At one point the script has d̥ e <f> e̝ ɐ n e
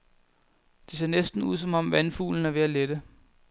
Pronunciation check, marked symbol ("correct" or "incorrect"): incorrect